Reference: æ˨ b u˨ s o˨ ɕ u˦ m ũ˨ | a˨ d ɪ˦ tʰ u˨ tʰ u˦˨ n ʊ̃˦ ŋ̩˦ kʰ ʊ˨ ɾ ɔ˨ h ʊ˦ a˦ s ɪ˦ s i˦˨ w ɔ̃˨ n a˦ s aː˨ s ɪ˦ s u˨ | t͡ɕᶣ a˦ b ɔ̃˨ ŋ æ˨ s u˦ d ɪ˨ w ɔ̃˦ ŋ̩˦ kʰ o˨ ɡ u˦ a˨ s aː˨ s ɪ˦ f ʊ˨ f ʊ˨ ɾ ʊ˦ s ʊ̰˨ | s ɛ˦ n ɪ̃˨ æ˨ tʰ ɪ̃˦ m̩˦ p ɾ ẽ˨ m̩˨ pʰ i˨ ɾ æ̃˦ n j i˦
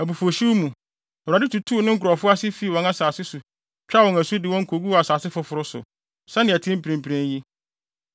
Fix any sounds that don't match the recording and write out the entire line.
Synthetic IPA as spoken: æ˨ b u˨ f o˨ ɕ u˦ m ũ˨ | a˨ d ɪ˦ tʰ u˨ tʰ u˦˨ n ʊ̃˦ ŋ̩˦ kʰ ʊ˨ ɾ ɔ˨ f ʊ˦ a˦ s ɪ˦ f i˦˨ w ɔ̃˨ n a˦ s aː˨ s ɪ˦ s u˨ | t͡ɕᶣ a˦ w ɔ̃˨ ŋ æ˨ s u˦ d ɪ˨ w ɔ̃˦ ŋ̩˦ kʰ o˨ ɡ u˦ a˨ s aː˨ s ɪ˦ f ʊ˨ f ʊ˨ ɾ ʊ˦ s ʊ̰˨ | s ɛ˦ n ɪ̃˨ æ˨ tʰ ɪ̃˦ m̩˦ p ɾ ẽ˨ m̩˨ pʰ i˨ ɾ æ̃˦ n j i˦